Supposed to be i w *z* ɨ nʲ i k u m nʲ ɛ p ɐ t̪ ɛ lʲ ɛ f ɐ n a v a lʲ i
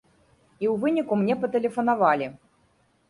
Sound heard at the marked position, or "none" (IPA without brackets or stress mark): v